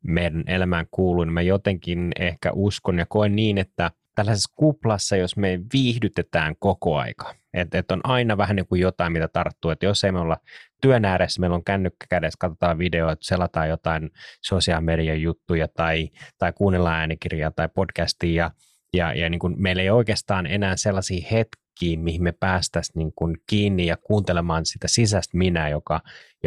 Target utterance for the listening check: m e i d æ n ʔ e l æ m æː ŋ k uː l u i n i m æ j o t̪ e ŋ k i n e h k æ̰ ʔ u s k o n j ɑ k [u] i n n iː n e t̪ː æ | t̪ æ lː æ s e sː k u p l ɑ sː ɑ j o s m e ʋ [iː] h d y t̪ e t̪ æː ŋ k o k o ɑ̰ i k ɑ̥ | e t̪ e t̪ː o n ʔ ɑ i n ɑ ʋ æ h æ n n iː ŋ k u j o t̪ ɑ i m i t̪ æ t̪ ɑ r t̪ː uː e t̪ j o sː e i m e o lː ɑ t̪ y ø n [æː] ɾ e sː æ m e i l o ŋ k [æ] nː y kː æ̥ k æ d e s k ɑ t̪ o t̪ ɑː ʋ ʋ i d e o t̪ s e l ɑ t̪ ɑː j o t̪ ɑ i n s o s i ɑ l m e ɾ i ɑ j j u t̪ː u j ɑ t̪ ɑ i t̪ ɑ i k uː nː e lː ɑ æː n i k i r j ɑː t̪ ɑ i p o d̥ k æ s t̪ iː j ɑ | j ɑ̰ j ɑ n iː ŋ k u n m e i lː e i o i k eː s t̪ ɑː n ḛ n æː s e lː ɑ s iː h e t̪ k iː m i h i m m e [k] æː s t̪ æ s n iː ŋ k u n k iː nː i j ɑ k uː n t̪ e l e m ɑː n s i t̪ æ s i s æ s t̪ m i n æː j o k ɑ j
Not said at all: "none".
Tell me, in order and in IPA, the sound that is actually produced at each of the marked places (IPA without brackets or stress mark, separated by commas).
o, iː, æː, æ, p